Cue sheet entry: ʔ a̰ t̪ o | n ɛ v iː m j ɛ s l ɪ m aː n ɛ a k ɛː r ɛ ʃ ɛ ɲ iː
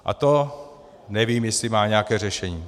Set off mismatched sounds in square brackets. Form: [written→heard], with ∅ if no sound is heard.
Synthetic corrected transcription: ʔ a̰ t̪ o | n ɛ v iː m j ɛ s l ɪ m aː [n→ɲ] ɛ a k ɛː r ɛ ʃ ɛ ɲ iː